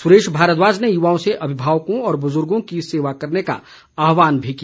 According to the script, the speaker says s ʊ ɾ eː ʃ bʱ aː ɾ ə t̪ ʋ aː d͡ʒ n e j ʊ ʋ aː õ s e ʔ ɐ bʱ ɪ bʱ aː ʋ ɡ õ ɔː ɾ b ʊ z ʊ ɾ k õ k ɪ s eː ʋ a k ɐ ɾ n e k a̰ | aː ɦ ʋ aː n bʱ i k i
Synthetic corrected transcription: s ʊ ɾ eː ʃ bʱ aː ɾ ə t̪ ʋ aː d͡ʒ n e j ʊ ʋ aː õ s e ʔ ɐ bʱ ɪ bʱ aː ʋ k õ ɔː ɾ b ʊ z ʊ ɾ ɡ õ k i s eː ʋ a k ɐ ɾ n e k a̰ | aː ɦ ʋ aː n bʱ i k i